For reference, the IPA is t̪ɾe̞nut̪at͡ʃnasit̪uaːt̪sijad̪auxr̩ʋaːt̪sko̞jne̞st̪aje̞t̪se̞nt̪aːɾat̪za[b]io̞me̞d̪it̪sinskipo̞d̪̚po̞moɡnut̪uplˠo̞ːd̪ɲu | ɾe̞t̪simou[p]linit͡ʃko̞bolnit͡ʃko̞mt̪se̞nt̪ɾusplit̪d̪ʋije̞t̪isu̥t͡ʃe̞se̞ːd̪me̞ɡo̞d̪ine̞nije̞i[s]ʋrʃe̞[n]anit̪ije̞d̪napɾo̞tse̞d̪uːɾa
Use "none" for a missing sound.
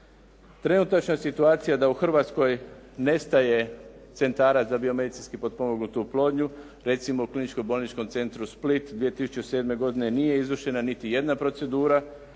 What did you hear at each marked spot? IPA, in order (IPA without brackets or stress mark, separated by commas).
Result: b, k, z, n